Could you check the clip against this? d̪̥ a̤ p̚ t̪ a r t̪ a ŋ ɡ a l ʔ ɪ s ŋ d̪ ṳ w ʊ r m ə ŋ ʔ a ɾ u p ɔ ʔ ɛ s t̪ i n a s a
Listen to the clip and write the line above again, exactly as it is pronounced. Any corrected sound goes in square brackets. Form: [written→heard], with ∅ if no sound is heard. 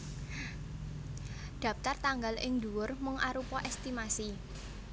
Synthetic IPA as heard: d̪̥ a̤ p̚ t̪ a r t̪ a ŋ ɡ a l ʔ ɪ [s→∅] ŋ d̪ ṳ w ʊ r m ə ŋ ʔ a ɾ u p ɔ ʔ ɛ s t̪ i [n→m] a s [a→i]